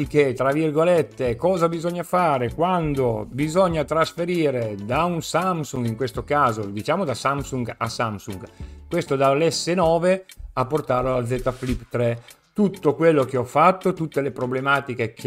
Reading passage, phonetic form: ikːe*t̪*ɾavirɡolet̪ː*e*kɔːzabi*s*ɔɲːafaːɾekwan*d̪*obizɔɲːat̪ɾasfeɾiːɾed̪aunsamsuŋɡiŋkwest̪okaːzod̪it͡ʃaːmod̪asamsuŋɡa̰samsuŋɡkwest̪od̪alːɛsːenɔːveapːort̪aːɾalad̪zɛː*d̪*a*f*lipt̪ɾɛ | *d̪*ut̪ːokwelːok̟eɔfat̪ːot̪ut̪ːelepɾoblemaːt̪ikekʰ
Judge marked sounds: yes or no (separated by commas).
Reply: yes, yes, no, yes, no, yes, no